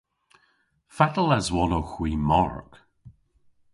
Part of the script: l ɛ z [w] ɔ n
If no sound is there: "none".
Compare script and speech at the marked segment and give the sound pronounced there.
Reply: w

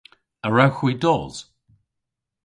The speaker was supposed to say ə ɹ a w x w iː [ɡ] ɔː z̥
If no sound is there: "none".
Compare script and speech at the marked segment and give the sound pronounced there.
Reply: d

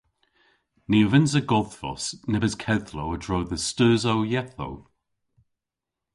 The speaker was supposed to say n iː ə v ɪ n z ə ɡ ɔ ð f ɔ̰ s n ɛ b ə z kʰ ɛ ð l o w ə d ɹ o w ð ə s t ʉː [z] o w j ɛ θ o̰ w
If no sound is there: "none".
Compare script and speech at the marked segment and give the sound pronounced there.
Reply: z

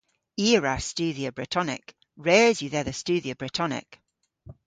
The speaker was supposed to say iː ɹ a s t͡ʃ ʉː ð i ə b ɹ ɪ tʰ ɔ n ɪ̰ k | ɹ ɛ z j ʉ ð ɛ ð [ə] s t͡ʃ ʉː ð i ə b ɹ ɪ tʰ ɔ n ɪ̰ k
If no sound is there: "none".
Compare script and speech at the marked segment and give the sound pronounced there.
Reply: ə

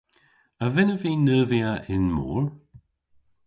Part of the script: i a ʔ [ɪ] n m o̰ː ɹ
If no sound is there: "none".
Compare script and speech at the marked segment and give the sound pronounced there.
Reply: ɪ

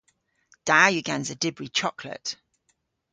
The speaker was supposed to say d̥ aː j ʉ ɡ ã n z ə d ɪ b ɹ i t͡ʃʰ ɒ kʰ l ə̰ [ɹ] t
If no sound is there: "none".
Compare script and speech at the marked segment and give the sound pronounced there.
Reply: none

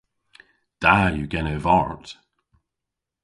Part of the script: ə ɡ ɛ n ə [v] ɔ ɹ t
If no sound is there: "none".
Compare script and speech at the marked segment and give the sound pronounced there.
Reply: v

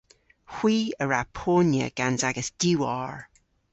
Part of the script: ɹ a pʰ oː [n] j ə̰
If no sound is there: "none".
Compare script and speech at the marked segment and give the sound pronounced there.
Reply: n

